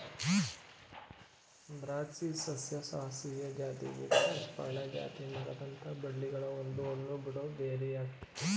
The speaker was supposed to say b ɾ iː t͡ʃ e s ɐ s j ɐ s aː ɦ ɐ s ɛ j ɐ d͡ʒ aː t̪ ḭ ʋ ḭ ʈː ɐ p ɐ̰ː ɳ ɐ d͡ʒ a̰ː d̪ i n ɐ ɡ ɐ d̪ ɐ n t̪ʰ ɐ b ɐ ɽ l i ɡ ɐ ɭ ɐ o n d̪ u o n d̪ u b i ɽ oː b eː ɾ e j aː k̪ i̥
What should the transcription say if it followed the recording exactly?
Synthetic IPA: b ɾ aː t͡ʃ i s ɐ s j ɐ s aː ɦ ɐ s i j ɐ d͡ʒ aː t̪ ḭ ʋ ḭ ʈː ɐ p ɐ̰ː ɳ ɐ d͡ʒ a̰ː t̪ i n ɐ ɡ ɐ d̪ ɐ n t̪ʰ ɐ b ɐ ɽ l i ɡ ɐ ɭ ɐ o n d̪ u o n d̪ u b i ɽ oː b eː ɾ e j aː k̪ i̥

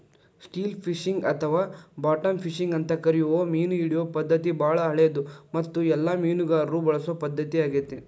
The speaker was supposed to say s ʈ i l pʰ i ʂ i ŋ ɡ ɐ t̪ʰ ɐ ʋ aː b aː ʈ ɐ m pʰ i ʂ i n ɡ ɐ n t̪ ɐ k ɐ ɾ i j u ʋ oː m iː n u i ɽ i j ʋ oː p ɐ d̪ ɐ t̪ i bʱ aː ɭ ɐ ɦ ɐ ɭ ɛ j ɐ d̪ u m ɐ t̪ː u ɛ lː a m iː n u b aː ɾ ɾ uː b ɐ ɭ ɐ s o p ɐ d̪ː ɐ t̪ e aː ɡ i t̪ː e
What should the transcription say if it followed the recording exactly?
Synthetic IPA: s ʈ iː l pʰ i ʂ i ŋ ɡ ɐ t̪ʰ ɐ ʋ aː b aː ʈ ɐ m pʰ i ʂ i ŋ ɡ ɐ n t̪ ɐ k ɐ ɾ i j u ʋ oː m iː n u i ɽ i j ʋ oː p ɐ d̪ː ɐ t̪ i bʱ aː ɭ ɐ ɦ ɐ ɭ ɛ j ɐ d̪ u m ɐ t̪ː u ɛ lː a m iː n u ɡ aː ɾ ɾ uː b ɐ ɭ ɐ s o p ɐ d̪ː ɐ t̪ i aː ɡ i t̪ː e

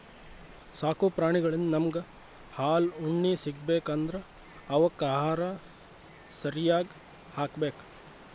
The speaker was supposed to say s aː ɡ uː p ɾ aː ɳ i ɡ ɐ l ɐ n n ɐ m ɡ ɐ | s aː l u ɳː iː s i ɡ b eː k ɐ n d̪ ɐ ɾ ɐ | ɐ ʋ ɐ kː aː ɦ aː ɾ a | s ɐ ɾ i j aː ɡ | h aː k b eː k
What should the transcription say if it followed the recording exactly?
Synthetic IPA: s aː k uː p ɾ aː ɳ i ɡ ɐ ɭ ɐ n n ɐ m ɡ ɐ | h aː l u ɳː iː s i ɡ b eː k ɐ n d̪ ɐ ɾ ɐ | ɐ ʋ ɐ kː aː ɦ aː ɾ a | s ɐ ɾ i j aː ɡ | h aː k b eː k

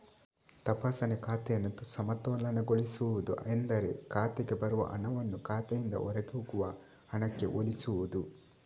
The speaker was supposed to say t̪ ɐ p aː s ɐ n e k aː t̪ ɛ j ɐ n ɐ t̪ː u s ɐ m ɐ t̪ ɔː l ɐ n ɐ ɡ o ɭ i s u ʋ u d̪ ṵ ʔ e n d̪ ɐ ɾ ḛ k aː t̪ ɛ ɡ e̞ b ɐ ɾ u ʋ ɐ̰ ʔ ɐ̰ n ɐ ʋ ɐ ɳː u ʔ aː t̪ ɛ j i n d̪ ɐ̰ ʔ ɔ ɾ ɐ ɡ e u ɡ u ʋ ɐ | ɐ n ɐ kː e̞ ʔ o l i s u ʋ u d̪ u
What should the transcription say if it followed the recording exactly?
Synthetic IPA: t̪ ɐ p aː s ɐ n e k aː t̪ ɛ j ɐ n ɐ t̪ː u s ɐ m ɐ t̪ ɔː l ɐ n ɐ ɡ o ɭ i s u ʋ u d̪ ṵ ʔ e n d̪ ɐ ɾ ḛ k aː t̪ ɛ ɡ e̞ b ɐ ɾ u ʋ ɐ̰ ʔ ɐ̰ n ɐ ʋ ɐ nː u k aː t̪ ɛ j i n d̪ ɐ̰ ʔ ɔ ɾ ɐ ɡ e u ɡ u ʋ ɐ | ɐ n ɐ kː e̞ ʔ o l i s u ʋ u d̪ u

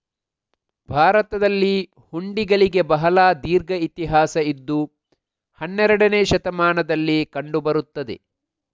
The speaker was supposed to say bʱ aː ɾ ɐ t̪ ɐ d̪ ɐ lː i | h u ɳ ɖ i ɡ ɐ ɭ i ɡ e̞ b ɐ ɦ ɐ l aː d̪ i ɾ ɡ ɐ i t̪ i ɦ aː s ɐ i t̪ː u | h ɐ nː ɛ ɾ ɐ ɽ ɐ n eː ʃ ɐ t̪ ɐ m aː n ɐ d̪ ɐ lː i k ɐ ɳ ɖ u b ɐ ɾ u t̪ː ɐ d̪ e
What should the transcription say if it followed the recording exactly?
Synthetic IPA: bʱ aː ɾ ɐ t̪ ɐ d̪ ɐ lː i | h u ɳ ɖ i ɡ ɐ ɭ i ɡ e̞ b ɐ ɦ ɐ l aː d̪ iː ɾ ɡ ɐ i t̪ i ɦ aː s ɐ i d̪ː u | h ɐ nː ɛ ɾ ɐ ɽ ɐ n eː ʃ ɐ t̪ ɐ m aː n ɐ d̪ ɐ lː i k ɐ ɳ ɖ u b ɐ ɾ u t̪ː ɐ d̪ e

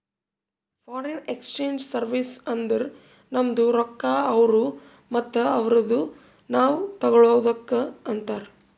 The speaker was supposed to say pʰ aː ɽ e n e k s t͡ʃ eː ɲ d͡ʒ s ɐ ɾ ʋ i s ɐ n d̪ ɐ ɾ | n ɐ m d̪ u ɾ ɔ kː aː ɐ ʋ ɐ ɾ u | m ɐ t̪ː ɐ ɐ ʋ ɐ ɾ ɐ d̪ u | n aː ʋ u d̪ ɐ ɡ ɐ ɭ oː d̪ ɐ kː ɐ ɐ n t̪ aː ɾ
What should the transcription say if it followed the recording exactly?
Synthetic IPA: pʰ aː ɾ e n e k s t͡ʃ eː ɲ d͡ʒ s ɐ ɾ ʋ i s ɐ n d̪ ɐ ɾ | n ɐ m d̪ u ɾ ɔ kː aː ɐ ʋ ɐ ɾ u | m ɐ t̪ː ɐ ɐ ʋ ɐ ɾ ɐ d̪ u | n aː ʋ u t̪ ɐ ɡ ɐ ɭ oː d̪ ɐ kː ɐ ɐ n t̪ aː ɾ

